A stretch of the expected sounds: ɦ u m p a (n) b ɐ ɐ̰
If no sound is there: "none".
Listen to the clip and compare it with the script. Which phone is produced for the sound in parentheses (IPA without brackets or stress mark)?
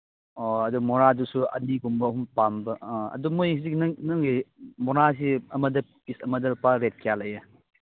m